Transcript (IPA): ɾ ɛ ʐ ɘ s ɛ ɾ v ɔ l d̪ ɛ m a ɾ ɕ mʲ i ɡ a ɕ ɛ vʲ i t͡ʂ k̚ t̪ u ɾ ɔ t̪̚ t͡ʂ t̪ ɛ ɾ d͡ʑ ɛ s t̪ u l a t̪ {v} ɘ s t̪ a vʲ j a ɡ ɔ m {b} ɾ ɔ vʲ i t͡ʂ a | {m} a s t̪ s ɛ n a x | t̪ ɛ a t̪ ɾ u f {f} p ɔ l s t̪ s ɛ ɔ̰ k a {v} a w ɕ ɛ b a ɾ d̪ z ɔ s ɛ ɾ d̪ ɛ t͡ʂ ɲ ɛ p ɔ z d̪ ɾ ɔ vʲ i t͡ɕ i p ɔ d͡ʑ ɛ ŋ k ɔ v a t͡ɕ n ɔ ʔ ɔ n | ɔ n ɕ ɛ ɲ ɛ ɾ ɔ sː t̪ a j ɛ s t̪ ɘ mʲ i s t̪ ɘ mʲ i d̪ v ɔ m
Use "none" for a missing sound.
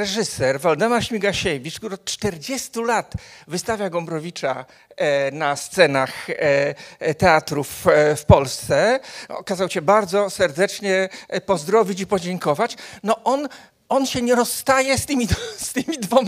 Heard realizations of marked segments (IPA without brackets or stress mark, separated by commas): v, b, n, f, z